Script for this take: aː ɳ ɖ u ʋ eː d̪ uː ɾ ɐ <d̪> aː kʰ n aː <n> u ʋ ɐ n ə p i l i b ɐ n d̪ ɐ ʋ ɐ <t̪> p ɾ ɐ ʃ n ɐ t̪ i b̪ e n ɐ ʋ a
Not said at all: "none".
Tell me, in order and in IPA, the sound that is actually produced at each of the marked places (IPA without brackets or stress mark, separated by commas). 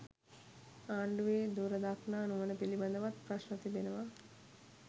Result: d̪, n, t̪